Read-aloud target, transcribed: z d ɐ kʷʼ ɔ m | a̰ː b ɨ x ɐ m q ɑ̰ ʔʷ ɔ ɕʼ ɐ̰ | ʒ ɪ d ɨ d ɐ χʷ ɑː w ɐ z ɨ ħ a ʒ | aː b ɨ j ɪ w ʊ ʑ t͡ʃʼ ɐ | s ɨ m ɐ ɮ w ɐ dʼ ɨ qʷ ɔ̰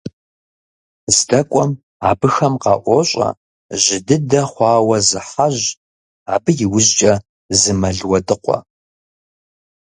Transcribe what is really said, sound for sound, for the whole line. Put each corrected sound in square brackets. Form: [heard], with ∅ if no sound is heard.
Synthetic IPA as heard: z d ɐ kʷʼ ɔ m | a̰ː b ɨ x ɐ m q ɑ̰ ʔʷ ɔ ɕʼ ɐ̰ | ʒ ɪ d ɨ d ɐ χʷ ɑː w ɐ z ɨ ħ a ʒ | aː b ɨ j ɪ w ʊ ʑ t͡ʃʼ ɐ | [z] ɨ m ɐ ɮ w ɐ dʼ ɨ qʷ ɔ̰